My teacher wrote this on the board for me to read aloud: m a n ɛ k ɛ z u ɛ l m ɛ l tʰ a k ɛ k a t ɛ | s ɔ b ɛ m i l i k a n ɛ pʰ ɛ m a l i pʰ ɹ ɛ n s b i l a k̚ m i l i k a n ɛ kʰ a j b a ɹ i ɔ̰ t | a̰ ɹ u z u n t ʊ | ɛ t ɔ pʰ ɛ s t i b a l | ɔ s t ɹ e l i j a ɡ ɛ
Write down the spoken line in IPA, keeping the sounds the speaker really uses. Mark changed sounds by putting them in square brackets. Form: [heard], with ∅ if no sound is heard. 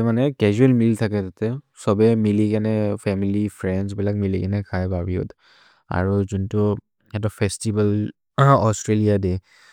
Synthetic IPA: m a n ɛ k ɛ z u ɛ l m [i] l tʰ a k ɛ [t] a t ɛ | s ɔ b ɛ m i l i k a n ɛ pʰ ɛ m [i] l i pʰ ɹ ɛ n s b i l a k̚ m i l i k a n ɛ kʰ a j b a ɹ i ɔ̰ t | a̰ ɹ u z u n t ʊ | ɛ t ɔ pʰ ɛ s t i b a l | ɔ s t ɹ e l i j a [d] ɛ